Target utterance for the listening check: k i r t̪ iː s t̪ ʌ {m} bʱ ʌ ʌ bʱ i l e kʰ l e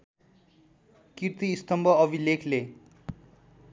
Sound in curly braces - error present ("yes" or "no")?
no